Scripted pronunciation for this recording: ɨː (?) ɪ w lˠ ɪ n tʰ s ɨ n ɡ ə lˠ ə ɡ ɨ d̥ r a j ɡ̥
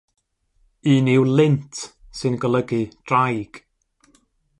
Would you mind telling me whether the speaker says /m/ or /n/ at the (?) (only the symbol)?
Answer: n